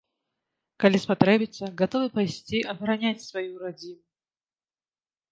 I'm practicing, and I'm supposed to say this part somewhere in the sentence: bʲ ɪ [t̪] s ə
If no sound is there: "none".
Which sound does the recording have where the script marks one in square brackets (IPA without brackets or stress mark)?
t̪